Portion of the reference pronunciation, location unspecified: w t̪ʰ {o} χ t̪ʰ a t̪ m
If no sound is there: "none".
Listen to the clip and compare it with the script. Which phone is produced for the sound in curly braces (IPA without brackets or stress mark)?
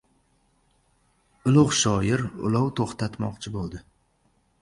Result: o